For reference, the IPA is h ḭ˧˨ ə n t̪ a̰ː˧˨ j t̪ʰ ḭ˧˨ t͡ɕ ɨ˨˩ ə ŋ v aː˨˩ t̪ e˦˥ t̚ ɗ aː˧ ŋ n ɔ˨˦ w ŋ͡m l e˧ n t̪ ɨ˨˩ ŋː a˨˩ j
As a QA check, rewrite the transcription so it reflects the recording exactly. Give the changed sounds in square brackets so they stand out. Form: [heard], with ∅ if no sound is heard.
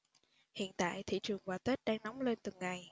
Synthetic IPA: h ḭ˧˨ ə n t̪ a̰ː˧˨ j t̪ʰ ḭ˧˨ t͡ɕ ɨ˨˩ ə ŋ v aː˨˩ t̪ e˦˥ t̚ ɗ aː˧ ŋ n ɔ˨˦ w ŋ͡m l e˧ n t̪ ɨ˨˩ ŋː a˨˩ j